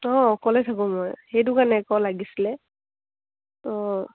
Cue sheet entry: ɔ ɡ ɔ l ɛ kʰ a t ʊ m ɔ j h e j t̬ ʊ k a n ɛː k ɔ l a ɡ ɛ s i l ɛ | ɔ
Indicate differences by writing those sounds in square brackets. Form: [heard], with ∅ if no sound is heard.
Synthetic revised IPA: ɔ [k] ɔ l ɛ [tʰ] a [k] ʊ m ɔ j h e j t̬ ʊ k a n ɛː k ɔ l a ɡ [i] s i l ɛ | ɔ